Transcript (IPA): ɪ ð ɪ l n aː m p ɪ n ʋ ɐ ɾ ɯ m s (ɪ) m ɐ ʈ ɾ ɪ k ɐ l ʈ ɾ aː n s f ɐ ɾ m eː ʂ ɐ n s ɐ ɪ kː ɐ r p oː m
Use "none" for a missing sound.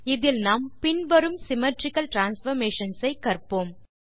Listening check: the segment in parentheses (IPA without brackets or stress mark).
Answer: ɪ